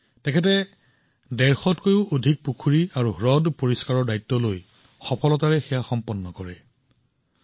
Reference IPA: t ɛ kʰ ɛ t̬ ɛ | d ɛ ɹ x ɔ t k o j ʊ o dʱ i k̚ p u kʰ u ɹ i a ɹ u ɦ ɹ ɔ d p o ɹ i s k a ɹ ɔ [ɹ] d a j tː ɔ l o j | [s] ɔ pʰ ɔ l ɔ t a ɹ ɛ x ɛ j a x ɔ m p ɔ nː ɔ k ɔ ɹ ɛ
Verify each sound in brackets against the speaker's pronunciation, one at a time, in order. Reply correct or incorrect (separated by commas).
correct, incorrect